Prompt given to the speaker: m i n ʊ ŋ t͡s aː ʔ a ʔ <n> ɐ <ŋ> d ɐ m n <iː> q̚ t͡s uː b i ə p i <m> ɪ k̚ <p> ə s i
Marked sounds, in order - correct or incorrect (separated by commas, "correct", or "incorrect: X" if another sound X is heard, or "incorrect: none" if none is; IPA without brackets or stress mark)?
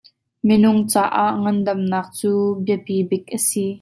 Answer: incorrect: ŋ, incorrect: n, incorrect: aː, incorrect: b, incorrect: ʔ